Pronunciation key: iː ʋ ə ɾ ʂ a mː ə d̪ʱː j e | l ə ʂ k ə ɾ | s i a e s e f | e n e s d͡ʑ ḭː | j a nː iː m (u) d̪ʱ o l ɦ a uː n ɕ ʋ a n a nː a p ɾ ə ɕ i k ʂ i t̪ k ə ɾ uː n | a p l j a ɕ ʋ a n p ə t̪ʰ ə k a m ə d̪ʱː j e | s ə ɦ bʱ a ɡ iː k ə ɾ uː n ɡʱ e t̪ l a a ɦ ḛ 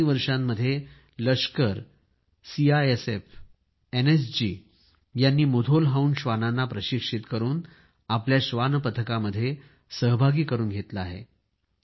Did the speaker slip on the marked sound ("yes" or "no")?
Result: no